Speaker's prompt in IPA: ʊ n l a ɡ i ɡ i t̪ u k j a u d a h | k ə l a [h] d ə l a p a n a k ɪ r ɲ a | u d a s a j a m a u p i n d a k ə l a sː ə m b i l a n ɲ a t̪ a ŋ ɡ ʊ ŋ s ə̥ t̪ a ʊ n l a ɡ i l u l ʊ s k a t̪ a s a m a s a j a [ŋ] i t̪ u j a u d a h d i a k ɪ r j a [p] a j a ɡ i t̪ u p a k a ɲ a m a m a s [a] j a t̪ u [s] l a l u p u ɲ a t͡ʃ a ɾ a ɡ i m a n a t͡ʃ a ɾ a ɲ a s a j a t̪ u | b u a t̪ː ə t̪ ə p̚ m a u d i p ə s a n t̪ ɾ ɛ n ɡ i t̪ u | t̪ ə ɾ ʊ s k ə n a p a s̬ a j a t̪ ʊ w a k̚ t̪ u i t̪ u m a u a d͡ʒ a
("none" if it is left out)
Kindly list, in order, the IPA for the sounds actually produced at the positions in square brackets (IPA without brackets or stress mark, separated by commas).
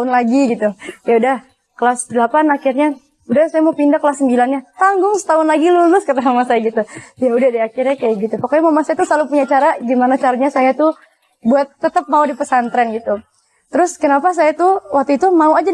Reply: s, ɡ, k, a, s